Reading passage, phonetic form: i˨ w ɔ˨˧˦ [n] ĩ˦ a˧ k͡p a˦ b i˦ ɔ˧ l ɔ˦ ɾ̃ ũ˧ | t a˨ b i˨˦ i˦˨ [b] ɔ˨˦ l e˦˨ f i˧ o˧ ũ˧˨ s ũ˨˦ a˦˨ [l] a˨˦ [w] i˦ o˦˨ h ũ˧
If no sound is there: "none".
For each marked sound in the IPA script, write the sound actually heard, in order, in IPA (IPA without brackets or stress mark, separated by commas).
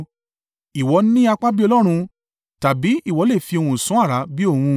n, w, ɾ, b